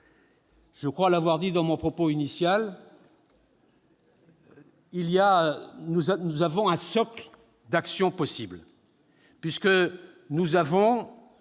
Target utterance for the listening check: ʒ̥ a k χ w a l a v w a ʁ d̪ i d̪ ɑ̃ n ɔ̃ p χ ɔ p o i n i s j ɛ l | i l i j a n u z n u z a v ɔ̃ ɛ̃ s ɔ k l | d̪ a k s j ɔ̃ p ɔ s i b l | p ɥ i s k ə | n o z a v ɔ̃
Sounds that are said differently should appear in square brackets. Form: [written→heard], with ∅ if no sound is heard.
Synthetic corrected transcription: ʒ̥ [a→ə] k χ w a l a v w a ʁ d̪ i d̪ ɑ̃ [n→m] ɔ̃ p χ ɔ p o i n i s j [ɛ→a] l | i l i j a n u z n u z a v ɔ̃ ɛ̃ s ɔ k l | d̪ a k s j ɔ̃ p ɔ s i b l | p ɥ i s k ə | n [o→u] z a v ɔ̃